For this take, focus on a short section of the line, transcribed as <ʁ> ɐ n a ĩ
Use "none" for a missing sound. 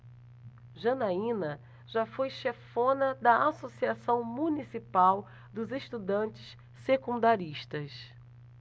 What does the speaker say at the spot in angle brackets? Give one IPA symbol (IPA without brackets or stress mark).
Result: ʒ